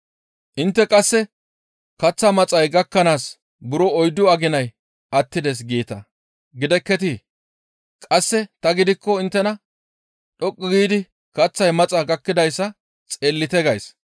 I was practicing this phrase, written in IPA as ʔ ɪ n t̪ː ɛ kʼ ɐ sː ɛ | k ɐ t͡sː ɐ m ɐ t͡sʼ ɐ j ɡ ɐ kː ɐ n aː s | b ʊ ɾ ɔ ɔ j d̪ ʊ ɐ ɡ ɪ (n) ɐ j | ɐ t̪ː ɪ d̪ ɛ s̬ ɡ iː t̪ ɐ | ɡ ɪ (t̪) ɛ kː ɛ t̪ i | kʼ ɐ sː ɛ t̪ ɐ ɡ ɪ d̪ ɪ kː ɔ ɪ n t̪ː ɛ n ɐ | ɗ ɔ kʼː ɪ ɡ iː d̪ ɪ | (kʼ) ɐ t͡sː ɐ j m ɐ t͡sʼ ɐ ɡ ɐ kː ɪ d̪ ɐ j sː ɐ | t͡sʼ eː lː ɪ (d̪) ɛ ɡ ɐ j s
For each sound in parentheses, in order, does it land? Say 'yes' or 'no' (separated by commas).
yes, no, no, no